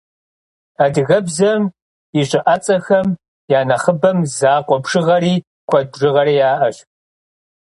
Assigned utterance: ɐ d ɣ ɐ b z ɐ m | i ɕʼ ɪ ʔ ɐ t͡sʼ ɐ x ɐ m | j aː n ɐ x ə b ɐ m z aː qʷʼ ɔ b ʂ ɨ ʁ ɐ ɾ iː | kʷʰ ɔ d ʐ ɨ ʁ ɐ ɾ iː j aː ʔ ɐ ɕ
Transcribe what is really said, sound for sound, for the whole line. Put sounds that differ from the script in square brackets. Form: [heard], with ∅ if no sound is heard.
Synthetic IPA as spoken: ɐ d ɣ ɐ b z ɐ m | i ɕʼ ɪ ʔ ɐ t͡sʼ ɐ x ɐ m | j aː n ɐ [χ] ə b ɐ m z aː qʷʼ ɔ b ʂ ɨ ʁ ɐ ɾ iː | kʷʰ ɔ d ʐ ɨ ʁ ɐ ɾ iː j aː ʔ ɐ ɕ